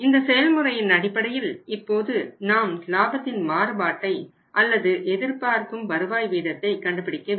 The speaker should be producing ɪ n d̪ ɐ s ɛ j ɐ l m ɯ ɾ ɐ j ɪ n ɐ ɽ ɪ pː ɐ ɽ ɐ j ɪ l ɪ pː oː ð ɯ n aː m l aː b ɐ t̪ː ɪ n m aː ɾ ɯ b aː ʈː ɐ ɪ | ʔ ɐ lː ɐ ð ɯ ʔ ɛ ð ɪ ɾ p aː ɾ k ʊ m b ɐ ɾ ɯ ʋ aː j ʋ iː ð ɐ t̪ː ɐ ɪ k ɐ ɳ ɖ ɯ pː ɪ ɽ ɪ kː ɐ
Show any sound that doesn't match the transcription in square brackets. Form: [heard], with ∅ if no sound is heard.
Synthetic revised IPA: ɪ n d̪ ɐ s ɛ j ɐ l m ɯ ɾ ɐ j ɪ n ɐ ɽ ɪ pː ɐ ɽ ɐ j ɪ l ɪ pː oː ð ɯ n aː m l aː b ɐ t̪ː ɪ n m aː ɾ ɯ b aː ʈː ɐ ɪ | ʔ ɐ lː ɐ ð ɯ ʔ ɛ ð ɪ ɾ p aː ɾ k [ɯ] m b ɐ ɾ ɯ ʋ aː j ʋ iː ð ɐ t̪ː ɐ ɪ k ɐ ɳ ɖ ɯ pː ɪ ɽ ɪ kː ɐ